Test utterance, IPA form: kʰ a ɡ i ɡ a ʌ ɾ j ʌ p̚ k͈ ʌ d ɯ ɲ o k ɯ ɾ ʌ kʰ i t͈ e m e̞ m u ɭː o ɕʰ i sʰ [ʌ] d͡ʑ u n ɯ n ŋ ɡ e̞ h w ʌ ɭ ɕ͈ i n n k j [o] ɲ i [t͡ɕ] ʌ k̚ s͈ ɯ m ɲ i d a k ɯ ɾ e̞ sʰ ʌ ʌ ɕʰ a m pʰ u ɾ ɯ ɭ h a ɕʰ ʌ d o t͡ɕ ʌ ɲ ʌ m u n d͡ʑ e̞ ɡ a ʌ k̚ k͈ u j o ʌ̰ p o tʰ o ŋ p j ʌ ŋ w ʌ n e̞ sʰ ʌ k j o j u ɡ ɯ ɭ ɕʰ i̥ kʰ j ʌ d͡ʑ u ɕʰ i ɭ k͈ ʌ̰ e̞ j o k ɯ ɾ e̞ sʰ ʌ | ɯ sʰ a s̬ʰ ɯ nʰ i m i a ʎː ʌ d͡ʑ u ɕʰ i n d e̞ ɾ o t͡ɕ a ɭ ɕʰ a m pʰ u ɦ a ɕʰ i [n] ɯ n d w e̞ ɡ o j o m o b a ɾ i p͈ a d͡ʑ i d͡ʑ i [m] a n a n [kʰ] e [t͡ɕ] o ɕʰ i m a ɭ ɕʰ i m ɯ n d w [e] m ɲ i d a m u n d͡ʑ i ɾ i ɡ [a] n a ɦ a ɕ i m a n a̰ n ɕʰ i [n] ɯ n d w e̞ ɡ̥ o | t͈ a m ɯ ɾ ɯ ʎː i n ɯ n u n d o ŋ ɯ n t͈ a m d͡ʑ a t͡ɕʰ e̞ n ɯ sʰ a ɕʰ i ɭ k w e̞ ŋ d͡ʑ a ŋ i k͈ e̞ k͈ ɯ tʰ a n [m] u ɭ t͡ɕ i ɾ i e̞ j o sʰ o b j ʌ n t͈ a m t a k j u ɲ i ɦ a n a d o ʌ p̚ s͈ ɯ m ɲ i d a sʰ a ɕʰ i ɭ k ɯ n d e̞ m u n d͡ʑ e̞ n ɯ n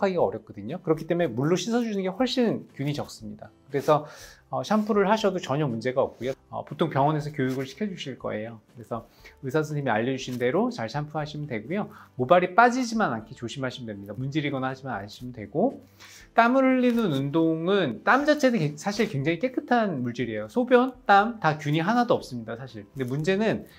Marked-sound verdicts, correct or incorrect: correct, incorrect: u, correct, incorrect: m, correct, correct, correct, correct, incorrect: ʌ, incorrect: m, correct

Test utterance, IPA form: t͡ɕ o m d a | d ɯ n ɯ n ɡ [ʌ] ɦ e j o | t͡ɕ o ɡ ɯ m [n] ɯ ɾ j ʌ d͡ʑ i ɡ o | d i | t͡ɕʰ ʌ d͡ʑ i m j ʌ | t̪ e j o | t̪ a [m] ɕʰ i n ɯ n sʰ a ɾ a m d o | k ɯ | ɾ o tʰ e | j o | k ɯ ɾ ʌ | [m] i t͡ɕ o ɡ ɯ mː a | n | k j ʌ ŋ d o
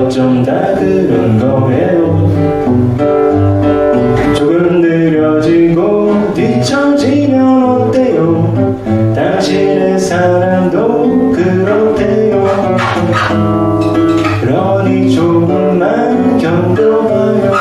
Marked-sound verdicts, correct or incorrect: correct, correct, incorrect: ŋ, incorrect: n

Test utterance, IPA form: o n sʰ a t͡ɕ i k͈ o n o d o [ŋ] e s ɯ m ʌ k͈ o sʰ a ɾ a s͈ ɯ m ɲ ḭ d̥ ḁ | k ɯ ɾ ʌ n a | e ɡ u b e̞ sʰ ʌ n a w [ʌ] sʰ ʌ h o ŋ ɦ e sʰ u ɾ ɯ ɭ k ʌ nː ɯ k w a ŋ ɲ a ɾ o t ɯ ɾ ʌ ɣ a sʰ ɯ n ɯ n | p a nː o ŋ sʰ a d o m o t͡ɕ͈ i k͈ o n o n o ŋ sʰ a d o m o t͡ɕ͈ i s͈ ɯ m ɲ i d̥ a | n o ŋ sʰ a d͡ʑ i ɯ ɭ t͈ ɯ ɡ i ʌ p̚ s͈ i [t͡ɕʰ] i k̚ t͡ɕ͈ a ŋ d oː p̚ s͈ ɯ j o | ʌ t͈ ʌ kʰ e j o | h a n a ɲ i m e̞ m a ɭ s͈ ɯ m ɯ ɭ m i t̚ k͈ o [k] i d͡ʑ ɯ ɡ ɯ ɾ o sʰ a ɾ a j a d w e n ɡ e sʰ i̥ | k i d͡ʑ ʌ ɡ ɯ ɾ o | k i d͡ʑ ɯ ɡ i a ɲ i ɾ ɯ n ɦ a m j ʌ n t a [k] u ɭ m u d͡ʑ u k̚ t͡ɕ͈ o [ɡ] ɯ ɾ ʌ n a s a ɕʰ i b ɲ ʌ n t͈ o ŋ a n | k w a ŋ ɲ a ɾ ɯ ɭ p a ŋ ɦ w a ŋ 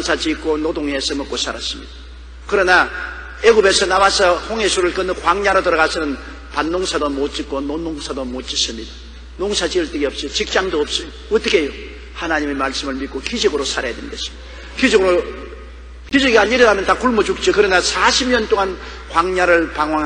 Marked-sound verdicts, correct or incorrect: correct, incorrect: a, incorrect: t͡ɕ, correct, correct, incorrect: k

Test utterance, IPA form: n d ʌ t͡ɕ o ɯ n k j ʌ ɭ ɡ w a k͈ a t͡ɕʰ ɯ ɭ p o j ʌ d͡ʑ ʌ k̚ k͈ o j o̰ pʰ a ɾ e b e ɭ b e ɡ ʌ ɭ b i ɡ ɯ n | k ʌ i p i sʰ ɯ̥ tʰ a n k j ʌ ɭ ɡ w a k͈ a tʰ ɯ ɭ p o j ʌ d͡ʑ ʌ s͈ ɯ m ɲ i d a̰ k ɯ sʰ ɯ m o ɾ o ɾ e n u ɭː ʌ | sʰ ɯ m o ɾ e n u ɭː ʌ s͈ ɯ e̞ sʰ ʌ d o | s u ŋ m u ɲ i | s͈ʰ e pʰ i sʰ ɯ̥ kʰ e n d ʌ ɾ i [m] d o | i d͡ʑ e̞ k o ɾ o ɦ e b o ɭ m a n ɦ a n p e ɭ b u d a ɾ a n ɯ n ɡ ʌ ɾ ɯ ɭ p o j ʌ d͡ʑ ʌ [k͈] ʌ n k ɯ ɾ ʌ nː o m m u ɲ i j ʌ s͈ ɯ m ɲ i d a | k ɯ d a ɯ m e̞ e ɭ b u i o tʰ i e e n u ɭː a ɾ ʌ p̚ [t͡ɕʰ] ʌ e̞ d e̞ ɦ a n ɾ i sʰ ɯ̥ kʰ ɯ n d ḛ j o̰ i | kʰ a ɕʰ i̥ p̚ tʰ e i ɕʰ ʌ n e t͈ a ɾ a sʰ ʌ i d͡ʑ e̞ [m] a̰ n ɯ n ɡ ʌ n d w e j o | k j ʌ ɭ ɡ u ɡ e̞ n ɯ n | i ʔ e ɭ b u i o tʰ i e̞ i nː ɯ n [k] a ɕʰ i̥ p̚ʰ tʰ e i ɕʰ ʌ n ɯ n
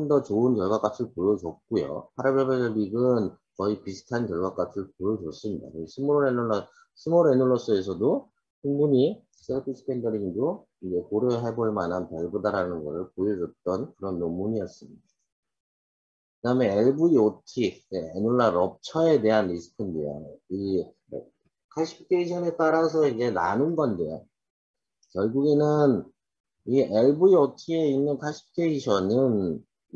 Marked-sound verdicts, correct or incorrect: incorrect: ŋ, incorrect: t͈, correct, incorrect: n, incorrect: kʰ

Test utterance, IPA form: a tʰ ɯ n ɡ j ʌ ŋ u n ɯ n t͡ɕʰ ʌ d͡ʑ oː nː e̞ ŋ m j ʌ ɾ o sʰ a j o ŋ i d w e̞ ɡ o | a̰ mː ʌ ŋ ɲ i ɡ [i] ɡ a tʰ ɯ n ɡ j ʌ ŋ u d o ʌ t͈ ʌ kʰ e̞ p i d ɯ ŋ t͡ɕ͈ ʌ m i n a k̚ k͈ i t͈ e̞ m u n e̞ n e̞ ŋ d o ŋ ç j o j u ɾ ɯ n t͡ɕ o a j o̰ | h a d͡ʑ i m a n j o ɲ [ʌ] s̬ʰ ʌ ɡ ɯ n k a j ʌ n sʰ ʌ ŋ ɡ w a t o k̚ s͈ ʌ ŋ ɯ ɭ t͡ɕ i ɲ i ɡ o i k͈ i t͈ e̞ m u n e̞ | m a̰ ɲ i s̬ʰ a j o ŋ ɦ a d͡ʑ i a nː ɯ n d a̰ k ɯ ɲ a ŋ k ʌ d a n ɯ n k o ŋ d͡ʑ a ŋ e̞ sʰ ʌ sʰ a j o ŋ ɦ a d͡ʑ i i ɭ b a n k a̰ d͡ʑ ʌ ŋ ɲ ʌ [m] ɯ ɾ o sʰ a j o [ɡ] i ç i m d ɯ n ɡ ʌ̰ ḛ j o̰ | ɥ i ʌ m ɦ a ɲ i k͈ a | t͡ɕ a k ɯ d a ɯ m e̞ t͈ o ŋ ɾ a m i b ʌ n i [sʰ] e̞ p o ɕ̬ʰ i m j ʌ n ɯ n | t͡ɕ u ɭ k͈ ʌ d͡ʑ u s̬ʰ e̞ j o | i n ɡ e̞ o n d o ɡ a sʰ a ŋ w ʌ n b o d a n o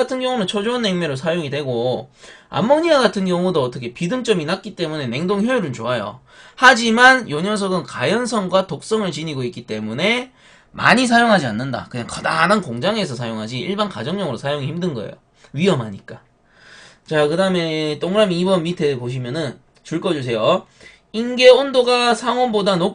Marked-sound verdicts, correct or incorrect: incorrect: a, correct, incorrect: ŋ, incorrect: ŋ, incorrect: tʰ

